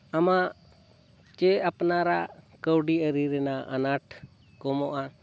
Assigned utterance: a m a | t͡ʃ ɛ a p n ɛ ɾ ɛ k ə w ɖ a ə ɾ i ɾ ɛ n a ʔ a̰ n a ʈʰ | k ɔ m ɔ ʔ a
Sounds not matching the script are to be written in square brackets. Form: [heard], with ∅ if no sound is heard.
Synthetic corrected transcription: a m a | t͡ʃ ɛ a p n [a] ɾ [a] k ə w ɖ [i] ə ɾ i ɾ ɛ n a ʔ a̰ n a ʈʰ | k ɔ m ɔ ʔ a